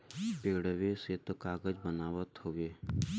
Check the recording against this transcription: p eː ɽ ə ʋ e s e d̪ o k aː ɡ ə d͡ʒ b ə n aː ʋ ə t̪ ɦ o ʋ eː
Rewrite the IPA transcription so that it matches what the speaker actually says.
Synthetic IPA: p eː ɽ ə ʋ e s e t̪ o k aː ɡ ə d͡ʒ b ə n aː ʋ ə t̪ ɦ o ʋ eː